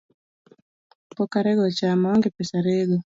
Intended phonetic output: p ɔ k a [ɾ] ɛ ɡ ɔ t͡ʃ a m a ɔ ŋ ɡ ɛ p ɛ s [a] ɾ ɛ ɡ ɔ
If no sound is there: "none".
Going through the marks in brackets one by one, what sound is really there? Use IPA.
ɾ, a

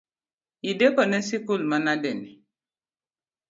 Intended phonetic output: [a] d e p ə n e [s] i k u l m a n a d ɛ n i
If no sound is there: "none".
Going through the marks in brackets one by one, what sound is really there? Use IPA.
i, s

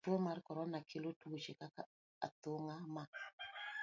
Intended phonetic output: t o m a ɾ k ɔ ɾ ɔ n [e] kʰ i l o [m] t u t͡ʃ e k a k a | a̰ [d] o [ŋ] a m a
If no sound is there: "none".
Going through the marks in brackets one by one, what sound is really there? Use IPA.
a, none, t, ŋ

